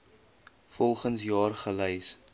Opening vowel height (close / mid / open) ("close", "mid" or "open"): mid